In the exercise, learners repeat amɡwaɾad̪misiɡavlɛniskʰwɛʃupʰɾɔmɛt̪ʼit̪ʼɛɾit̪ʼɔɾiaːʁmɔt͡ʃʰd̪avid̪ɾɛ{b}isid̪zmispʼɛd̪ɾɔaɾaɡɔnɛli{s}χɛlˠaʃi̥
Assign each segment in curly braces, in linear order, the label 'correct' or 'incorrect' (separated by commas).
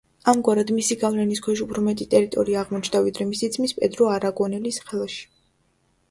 incorrect, correct